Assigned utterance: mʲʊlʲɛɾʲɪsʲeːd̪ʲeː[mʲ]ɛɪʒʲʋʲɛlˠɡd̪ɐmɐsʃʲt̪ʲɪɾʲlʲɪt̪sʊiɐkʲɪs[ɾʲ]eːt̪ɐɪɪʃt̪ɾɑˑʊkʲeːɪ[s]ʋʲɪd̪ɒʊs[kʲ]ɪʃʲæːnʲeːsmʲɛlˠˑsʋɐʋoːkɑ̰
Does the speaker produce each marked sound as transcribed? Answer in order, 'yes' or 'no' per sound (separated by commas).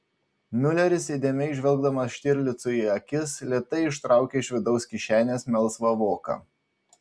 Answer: yes, no, no, yes